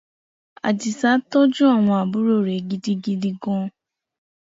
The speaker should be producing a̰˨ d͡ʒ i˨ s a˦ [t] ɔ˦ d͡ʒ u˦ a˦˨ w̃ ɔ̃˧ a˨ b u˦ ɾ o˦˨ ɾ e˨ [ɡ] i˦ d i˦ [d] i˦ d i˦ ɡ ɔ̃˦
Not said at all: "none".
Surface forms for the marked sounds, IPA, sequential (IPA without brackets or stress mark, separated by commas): t, ɡ, ɡ